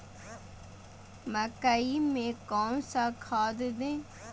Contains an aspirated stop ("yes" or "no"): yes